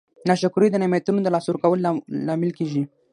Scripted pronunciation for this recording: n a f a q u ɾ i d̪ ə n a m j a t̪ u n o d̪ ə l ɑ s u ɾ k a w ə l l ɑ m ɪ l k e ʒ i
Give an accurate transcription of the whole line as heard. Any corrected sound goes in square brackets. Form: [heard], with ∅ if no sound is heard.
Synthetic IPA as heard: n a [ʃ] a [k] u ɾ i d̪ ə n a m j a t̪ u n o d̪ ə l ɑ s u ɾ k a w ə l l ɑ m ɪ l k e ʒ i